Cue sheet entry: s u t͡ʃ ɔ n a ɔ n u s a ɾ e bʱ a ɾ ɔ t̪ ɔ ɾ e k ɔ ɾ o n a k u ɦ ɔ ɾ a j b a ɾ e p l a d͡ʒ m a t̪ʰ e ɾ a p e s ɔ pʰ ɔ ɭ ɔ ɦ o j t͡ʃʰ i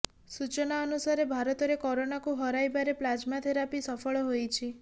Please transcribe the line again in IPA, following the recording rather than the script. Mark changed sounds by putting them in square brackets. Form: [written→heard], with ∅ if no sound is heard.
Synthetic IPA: s u t͡ʃ ɔ n a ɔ n u s a ɾ e bʱ a ɾ ɔ t̪ ɔ ɾ e k ɔ ɾ o n a k u ɦ ɔ ɾ a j b a ɾ e p l a d͡ʒ m a t̪ʰ e ɾ a p [e→i] s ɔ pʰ ɔ ɭ ɔ ɦ o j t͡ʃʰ i